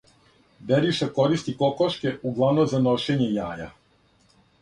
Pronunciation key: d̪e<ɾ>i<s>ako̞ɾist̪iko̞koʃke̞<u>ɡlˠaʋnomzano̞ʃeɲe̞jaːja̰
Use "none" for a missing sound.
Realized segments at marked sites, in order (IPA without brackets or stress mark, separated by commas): ɾ, ʃ, u